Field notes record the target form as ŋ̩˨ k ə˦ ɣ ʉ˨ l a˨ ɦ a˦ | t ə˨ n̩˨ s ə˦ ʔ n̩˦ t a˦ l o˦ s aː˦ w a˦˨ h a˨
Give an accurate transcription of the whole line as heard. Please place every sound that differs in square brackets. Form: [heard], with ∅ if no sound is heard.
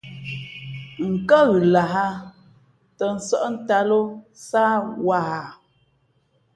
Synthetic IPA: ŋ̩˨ k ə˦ ɣ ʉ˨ l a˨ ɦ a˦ | t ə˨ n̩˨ s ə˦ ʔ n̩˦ t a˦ l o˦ s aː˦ w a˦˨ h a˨